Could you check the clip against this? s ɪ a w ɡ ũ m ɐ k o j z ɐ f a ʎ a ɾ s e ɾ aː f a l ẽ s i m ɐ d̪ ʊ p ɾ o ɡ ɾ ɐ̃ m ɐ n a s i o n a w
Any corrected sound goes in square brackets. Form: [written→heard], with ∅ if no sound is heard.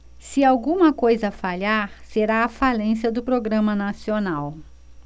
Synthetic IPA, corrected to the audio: s ɪ a w ɡ ũ m ɐ k o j z ɐ f a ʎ a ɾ s e ɾ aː f a l ẽ s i [m→∅] ɐ d̪ ʊ p ɾ o ɡ ɾ ɐ̃ m ɐ n a s i o n a w